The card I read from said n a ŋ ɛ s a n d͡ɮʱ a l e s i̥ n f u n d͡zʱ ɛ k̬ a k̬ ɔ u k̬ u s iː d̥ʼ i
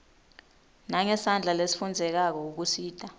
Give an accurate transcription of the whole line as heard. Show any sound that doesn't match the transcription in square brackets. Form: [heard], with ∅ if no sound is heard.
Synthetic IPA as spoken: n a ŋ ɛ s a n d͡ɮʱ a l e s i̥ [∅] f u n d͡zʱ ɛ k̬ a k̬ ɔ u k̬ u s iː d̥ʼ [a]